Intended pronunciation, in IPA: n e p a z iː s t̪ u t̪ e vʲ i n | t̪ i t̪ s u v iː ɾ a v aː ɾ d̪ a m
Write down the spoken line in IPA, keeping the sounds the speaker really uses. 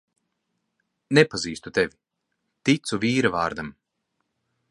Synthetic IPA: n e p a z iː s t̪ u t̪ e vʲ i | t̪ i t̪ s u v iː ɾ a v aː ɾ d̪ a m

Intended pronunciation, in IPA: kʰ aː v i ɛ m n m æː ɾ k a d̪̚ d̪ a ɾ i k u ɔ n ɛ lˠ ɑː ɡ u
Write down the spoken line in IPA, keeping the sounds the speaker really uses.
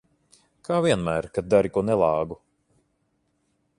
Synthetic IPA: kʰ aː v i ɛ n m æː ɾ k a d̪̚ d̪ a ɾ i k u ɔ n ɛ lˠ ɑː ɡ u

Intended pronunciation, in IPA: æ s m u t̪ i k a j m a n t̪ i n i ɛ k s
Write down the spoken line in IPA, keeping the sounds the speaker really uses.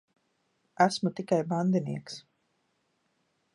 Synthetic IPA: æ s m u t̪ i k a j b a n d̪ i n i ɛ k s

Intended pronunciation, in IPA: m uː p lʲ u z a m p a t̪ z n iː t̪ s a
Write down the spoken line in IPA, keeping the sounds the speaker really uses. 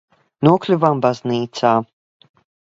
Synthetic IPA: n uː k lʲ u v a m b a z n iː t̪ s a

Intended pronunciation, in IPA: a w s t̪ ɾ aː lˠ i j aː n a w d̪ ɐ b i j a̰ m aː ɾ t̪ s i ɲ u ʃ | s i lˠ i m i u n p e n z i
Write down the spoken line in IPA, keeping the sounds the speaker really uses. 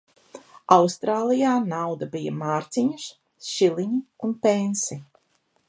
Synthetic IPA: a w s t̪ ɾ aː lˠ i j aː n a w d̪ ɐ b i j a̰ m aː ɾ t̪ s i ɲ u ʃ | ʃ i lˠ i ɲ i u n p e n s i

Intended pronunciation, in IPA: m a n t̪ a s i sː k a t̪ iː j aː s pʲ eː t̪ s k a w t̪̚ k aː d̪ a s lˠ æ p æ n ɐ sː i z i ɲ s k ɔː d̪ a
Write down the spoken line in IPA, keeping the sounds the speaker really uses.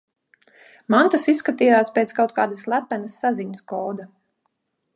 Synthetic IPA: m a n t̪ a s i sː k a t̪ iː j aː s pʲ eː t̪ s k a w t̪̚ k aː d̪ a s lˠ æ p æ n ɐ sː a z i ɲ s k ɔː d̪ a

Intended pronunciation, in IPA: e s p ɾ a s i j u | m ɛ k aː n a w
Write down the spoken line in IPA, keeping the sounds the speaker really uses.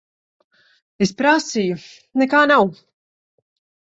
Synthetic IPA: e s p ɾ a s i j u | n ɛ k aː n a w

